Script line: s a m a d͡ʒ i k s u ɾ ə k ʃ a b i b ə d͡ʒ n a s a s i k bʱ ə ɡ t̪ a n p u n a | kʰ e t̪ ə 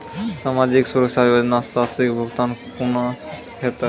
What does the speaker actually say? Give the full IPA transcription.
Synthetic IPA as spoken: s a m a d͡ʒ i k s u ɾ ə k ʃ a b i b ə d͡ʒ n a s a s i k bʱ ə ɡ t̪ a n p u n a | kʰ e t̪ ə

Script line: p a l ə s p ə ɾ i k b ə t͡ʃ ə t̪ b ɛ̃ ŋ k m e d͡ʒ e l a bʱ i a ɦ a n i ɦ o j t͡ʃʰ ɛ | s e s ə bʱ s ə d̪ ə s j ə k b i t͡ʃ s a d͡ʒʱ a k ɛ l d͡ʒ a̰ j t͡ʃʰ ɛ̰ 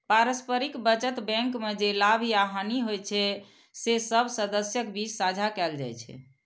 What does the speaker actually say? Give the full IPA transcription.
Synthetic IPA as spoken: p a ɾ ə s p ə ɾ i k b ə t͡ʃ ə t̪ b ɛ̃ ŋ k m e d͡ʒ e l a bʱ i a ɦ a n i ɦ o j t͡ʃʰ ɛ | s e s ə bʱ s ə d̪ ə s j ə k b i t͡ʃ s a d͡ʒʱ a k ɛ l d͡ʒ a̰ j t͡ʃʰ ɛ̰

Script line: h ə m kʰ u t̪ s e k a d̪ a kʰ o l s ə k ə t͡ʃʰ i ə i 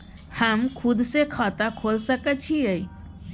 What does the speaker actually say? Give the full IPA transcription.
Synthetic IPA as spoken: h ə m kʰ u d̪ s e kʰ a t̪ a kʰ o l s ə k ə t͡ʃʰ i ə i

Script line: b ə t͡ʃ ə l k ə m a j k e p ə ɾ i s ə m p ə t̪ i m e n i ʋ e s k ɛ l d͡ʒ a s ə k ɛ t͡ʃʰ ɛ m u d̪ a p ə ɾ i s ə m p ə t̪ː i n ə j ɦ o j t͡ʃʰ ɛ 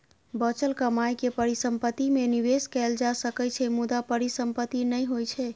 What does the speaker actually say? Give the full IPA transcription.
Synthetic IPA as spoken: b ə t͡ʃ ə l k ə m a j k e p ə ɾ i s ə m p ə t̪ i m e n i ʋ e s k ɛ l d͡ʒ a s ə k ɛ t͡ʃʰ ɛ m u d̪ a p ə ɾ i s ə m p ə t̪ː i n ə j ɦ o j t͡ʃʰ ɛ

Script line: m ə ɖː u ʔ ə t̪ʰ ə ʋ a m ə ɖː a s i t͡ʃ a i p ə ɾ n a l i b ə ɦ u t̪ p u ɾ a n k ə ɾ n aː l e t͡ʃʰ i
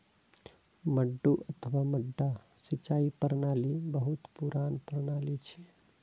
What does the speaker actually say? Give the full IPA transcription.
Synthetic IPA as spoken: m ə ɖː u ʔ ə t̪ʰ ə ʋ a m ə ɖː a s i t͡ʃ a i p ə ɾ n a l i b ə ɦ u t̪ p u ɾ a n p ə ɾ n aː l i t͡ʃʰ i

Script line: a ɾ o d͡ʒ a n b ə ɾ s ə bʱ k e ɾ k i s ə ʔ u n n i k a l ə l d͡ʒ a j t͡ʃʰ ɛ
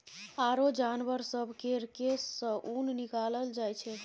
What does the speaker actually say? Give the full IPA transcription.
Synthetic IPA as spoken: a ɾ o d͡ʒ a n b ə ɾ s ə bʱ k e ɾ k e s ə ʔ u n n i k a l ə l d͡ʒ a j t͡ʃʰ ɛ

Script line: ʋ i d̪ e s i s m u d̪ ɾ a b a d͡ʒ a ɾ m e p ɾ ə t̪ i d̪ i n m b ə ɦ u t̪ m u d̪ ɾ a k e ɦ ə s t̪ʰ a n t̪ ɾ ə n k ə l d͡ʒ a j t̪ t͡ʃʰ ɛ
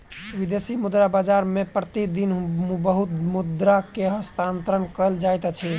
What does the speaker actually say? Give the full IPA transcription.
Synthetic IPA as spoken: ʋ i d̪ e s i m u d̪ ɾ a b a d͡ʒ a ɾ m e p ɾ ə t̪ i d̪ i n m b ə ɦ u t̪ m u d̪ ɾ a k e ɦ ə s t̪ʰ a n t̪ ɾ ə n k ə l d͡ʒ a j t̪ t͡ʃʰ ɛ

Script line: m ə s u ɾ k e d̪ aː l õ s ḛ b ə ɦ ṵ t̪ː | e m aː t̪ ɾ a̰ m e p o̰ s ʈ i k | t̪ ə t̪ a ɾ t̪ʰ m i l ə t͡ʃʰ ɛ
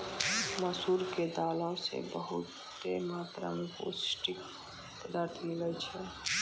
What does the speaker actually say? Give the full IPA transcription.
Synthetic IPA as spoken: m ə s u ɾ k e d̪ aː l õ s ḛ b ə ɦ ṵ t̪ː | e m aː t̪ ɾ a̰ m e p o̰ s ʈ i k | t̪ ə d̪ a ɾ t̪ʰ m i l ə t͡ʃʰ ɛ

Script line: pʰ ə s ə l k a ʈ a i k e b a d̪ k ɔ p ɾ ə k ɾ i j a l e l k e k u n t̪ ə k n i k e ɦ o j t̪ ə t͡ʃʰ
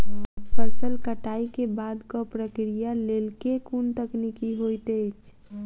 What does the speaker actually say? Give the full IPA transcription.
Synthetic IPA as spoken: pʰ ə s ə l k ə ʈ a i k e b a d̪ k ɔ p ɾ ə k ɾ i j a l e l k e k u n t̪ ə k n i k i ɦ o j t̪ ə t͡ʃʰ

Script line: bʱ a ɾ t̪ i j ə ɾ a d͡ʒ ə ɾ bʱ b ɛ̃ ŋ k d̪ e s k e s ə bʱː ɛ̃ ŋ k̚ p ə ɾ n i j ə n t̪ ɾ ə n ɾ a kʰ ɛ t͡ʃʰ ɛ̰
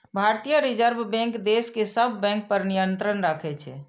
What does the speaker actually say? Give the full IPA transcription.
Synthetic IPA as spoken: bʱ a ɾ t̪ i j ə ɾ i d͡ʒ ə ɾ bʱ b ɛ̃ ŋ k d̪ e s k e s ə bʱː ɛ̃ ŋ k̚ p ə ɾ n i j ə n t̪ ɾ ə n ɾ a kʰ ɛ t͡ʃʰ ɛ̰

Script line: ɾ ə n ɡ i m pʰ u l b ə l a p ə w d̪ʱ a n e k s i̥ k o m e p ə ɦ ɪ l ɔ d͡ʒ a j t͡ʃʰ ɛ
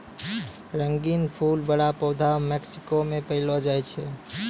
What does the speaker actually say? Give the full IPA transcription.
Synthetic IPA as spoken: ɾ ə ŋ ɡ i n pʰ u l b ə ɽ a p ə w d̪ʱ a m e k s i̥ k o m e p ə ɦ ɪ l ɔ d͡ʒ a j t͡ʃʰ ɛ

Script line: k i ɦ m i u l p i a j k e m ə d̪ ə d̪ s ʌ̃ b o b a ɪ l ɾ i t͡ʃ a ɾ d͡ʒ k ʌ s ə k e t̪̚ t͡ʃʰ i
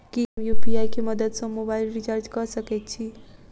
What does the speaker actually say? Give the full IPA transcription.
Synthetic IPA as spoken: k i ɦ m j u p i a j k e m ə d̪ ə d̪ s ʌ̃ m o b a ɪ l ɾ i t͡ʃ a ɾ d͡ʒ k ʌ s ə k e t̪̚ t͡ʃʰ i

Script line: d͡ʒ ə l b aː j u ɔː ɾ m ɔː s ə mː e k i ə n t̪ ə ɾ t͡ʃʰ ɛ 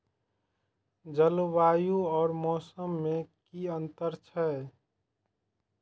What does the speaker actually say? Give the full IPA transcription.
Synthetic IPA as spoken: d͡ʒ ə l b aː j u ɔː ɾ m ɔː s ə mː e k i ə n t̪ ə ɾ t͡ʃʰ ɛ

